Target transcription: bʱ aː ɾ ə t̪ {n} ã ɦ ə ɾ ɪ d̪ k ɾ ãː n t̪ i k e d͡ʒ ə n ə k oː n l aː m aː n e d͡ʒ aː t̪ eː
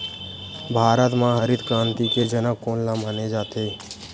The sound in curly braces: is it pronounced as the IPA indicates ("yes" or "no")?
no